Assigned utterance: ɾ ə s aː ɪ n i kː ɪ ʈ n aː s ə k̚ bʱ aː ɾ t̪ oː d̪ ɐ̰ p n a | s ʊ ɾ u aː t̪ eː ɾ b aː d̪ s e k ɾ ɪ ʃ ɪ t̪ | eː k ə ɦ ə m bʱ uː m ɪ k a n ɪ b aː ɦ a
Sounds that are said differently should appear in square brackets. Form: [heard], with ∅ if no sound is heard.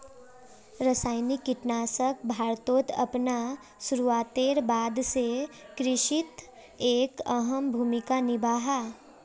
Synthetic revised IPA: ɾ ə s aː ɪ n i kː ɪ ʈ n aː s ə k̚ bʱ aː ɾ t̪ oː [t̪] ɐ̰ p n a | s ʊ ɾ u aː t̪ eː ɾ b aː d̪ s e k ɾ ɪ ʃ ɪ t̪ | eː k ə ɦ ə m bʱ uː m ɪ k a n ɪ b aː ɦ a